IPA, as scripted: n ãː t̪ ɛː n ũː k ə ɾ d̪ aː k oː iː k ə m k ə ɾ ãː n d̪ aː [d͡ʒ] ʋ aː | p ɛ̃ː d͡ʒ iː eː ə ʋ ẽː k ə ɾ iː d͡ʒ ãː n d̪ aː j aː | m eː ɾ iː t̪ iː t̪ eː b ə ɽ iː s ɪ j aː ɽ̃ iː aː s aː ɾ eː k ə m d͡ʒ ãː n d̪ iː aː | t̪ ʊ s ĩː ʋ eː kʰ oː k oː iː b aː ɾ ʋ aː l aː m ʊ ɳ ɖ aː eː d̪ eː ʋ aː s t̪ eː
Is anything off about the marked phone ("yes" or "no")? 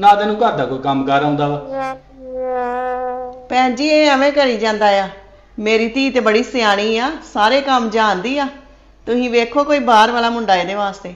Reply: yes